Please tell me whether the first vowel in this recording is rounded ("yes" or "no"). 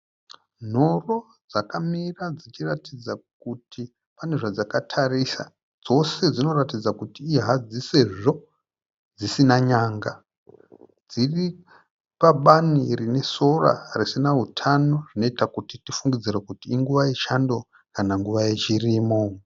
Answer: yes